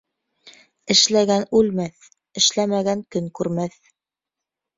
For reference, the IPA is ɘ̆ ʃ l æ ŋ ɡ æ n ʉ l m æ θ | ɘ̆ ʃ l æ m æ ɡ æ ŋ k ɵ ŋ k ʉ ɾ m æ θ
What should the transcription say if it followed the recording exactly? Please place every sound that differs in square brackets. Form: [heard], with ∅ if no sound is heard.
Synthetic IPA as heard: ɘ̆ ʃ l æ [∅] ɡ æ n ʉ l m æ θ | ɘ̆ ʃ l æ m æ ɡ æ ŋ k ɵ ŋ k ʉ ɾ m æ θ